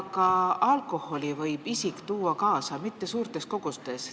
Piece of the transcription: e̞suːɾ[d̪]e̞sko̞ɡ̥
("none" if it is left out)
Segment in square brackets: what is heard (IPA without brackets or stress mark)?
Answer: t̪